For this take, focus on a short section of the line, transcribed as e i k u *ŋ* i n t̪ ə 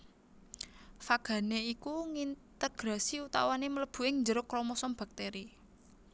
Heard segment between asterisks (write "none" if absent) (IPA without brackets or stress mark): ŋ